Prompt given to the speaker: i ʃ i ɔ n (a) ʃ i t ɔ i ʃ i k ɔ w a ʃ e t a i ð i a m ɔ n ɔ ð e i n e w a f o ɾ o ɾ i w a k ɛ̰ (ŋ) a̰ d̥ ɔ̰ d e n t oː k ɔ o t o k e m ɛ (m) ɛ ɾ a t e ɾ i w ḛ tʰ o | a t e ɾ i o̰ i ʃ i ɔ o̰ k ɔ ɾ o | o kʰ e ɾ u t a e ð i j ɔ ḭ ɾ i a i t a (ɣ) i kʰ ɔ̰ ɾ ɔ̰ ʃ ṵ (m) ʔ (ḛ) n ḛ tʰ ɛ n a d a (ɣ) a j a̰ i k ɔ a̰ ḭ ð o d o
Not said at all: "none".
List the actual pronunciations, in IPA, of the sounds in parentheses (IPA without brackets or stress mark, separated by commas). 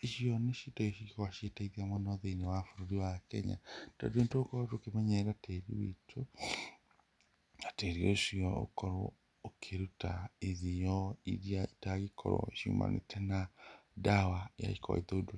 e, ɲ, ɲ, ɣ, m, a̰, w